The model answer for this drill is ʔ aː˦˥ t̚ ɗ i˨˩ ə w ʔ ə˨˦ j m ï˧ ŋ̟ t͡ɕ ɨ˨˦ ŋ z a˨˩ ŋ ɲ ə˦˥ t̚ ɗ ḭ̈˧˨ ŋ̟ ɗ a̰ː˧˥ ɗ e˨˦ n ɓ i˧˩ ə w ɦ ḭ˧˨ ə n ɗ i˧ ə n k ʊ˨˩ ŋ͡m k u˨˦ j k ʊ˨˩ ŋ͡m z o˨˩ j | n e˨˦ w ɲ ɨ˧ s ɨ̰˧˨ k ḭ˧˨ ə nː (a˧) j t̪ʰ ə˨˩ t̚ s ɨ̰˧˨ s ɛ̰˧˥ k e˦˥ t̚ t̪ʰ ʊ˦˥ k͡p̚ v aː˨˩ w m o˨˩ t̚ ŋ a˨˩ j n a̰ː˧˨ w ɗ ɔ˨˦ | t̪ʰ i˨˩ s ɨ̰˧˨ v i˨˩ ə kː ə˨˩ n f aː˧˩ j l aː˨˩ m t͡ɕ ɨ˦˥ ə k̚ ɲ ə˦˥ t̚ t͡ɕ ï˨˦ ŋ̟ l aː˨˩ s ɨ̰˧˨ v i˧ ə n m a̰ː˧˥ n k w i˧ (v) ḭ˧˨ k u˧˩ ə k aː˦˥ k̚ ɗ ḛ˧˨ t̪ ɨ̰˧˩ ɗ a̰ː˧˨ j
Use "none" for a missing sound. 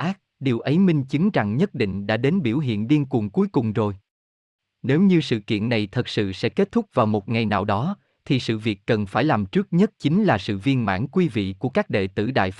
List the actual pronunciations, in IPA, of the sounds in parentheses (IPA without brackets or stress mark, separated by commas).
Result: a˨˩, v